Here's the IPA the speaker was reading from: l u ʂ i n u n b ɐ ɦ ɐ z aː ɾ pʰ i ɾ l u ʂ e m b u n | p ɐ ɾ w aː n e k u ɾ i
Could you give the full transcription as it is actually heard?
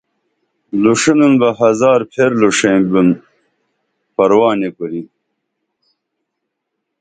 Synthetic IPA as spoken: l u ʂ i n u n b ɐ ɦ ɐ z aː ɾ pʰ e ɾ l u ʂ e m b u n | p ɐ ɾ w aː n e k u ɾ i